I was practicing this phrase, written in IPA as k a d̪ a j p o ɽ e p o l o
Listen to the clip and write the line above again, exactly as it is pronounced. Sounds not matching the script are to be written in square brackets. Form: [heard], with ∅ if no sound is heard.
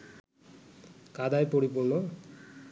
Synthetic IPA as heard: k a d̪ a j p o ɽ [i] p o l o